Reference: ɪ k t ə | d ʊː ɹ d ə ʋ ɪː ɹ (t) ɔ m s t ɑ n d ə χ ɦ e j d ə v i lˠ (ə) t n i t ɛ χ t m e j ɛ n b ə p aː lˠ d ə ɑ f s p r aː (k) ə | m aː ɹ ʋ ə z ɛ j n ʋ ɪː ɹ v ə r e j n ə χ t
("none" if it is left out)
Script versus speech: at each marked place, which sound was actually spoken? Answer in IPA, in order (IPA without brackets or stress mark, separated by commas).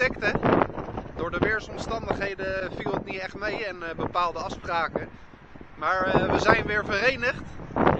s, ə, k